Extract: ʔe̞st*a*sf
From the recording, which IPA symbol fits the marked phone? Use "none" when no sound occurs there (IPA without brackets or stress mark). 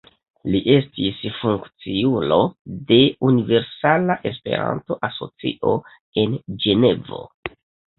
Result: i